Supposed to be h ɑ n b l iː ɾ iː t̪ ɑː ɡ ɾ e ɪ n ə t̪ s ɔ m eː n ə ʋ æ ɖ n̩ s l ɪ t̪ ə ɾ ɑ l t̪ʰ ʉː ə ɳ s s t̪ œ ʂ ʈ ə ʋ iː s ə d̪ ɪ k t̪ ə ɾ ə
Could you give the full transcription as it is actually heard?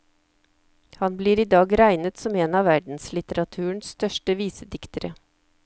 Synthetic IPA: h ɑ n b l iː ɾ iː d̪ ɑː ɡ ɾ æ ɪ n ə t̪ s ɔ m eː n ɑ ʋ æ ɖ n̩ s l ɪ t̪ ə ɾ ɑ t̪ʰ ʉː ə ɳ s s t̪ œ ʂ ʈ ə ʋ iː s ə d̪ ɪ k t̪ ə ɾ ə